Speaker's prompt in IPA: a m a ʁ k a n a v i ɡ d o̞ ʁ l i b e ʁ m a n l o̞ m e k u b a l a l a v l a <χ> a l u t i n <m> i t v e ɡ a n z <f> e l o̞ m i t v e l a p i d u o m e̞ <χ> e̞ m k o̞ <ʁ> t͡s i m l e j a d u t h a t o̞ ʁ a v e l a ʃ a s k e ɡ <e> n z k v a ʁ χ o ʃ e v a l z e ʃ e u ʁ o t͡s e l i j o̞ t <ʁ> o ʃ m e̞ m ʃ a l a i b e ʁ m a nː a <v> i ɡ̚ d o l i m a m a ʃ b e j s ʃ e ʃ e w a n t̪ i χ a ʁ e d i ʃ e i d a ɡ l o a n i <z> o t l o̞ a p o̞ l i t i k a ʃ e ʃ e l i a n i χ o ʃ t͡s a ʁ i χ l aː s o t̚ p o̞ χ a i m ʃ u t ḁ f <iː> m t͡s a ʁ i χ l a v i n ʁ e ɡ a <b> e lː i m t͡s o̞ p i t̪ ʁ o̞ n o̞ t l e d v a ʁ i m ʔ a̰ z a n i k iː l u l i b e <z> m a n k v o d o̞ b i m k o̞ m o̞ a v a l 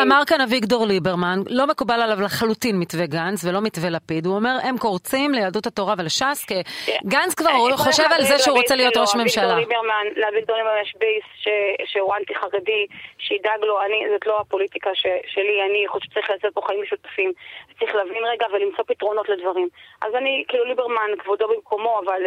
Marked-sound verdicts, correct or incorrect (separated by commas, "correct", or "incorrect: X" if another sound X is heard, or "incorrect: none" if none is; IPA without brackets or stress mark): correct, correct, incorrect: v, incorrect: ʁ, correct, incorrect: a, correct, correct, correct, incorrect: i, incorrect: v, incorrect: ʁ